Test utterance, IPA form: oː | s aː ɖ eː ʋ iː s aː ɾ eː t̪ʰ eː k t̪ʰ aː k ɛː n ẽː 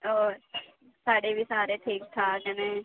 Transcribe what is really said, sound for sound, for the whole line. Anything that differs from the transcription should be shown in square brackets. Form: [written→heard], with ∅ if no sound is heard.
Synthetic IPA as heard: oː | s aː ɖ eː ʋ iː s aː ɾ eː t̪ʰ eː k t̪ʰ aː k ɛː n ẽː